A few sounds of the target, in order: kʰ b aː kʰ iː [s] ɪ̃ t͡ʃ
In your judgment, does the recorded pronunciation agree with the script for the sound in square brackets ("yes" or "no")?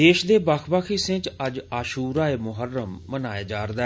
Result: yes